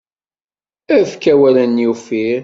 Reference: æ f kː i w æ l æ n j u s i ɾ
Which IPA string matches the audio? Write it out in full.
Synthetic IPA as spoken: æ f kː æ w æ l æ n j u f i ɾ